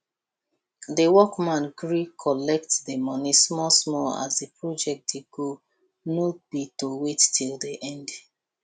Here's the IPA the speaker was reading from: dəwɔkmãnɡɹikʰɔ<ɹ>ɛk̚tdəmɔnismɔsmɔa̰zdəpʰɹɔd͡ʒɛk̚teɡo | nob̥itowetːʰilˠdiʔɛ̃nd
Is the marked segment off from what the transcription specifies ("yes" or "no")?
yes